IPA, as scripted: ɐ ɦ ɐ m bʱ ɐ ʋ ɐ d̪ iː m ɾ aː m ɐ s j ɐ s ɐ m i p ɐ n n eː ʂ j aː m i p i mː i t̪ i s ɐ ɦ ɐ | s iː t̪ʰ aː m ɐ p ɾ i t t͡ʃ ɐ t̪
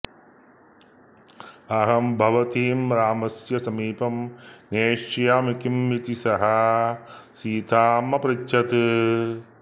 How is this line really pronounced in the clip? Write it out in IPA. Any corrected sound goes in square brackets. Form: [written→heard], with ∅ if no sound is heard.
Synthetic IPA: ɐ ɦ ɐ m bʱ ɐ ʋ ɐ [d̪→t̪] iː m ɾ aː m ɐ s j ɐ s ɐ m [i→iː] p ɐ [n→m] n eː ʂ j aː m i [p→k] i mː i t̪ i s ɐ ɦ ɐ | s iː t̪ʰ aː m ɐ p ɾ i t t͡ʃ ɐ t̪